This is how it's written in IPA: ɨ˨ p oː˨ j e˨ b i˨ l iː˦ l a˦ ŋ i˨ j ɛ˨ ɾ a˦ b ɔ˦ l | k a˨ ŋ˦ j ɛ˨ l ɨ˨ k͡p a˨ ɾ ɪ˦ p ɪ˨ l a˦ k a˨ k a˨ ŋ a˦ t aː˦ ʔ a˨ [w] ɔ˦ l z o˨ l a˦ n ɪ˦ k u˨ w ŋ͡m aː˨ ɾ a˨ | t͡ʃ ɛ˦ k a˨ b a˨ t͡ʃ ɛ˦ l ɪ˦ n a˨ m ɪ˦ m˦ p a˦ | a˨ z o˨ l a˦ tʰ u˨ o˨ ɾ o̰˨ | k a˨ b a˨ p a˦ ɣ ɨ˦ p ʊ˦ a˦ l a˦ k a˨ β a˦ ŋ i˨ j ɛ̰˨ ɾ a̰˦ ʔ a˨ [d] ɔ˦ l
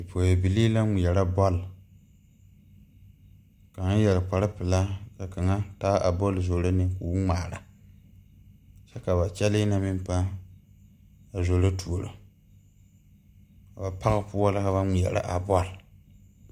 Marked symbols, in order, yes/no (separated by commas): no, no